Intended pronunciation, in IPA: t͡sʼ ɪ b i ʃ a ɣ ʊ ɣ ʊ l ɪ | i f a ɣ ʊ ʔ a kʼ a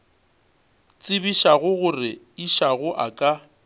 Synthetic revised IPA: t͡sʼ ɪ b i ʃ a ɣ ʊ ɣ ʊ r ɪ | i ʃ a ɣ ʊ ʔ a kʼ a